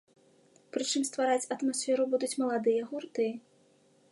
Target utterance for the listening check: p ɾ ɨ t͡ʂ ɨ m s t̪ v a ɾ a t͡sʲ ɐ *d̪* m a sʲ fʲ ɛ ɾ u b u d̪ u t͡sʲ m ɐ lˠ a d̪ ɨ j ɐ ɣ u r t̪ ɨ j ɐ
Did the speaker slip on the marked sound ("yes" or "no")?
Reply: yes